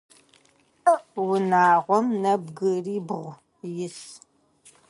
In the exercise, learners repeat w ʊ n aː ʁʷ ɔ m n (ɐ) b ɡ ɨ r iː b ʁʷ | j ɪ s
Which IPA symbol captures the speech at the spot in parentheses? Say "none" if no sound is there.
ɐ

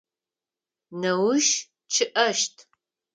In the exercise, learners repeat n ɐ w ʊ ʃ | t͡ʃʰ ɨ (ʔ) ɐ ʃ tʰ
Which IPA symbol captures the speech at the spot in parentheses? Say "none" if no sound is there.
ʔ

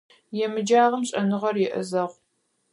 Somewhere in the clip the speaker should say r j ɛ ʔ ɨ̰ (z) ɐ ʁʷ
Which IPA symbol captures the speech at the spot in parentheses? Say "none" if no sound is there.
z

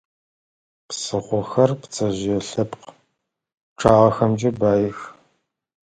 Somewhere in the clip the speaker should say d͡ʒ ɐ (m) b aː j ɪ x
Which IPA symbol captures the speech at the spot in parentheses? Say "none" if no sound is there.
none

